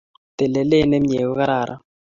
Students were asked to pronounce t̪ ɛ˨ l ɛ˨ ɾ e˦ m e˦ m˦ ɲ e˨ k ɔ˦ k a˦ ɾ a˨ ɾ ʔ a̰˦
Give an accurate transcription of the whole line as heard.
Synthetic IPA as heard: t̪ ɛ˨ l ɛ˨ l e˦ n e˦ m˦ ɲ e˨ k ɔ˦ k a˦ ɾ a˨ ɾ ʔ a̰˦